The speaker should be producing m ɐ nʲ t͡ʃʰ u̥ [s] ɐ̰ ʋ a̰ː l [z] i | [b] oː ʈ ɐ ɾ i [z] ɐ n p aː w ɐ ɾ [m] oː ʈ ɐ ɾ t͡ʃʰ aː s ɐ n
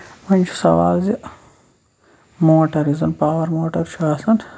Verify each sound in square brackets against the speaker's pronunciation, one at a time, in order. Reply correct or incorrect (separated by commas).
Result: correct, correct, incorrect, correct, correct